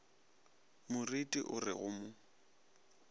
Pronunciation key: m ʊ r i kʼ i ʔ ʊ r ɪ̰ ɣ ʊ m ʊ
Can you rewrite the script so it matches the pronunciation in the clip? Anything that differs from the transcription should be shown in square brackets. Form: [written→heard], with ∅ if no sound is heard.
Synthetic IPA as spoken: m ʊ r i [kʼ→tʼ] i ʔ ʊ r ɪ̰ ɣ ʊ m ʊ